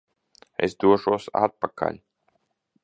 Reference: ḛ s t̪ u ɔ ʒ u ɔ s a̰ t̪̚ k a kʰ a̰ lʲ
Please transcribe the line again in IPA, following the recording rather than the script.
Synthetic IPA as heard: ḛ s d̪ u ɔ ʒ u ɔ s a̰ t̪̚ p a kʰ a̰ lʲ